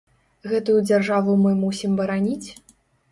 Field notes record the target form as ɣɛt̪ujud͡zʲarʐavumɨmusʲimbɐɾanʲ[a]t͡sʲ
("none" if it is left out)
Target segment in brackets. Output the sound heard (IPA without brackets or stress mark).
i